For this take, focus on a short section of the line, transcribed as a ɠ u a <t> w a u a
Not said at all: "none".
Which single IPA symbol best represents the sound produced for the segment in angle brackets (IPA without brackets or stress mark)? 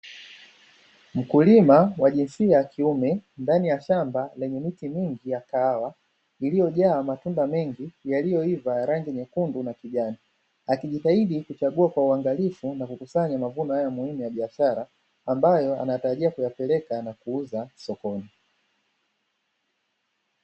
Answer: k